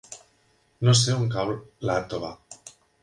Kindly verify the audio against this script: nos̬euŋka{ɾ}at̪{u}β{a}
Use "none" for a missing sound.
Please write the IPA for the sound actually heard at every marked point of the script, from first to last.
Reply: l, o, a

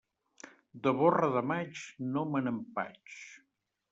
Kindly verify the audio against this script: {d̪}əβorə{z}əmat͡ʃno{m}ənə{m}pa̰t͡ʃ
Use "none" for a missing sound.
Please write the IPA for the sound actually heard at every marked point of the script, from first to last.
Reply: d̪, ð, m, m

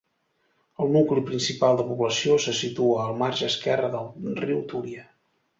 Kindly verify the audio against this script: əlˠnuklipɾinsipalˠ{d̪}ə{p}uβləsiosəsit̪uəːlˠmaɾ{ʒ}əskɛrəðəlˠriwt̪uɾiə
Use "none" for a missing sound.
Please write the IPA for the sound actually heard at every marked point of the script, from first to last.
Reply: d̪, p, ʒ

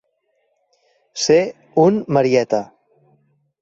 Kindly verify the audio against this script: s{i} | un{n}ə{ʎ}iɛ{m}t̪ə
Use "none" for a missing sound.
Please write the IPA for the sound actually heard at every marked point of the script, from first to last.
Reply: e, m, ɾ, none

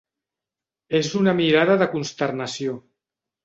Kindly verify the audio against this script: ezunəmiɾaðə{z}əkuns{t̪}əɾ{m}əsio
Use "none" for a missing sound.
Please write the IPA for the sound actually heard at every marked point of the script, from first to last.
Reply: ð, t̪, n

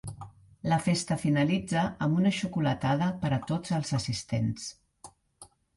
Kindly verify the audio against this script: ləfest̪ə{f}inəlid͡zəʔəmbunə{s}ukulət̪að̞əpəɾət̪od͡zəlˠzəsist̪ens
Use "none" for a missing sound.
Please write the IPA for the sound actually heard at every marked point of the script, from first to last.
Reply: f, ʃ

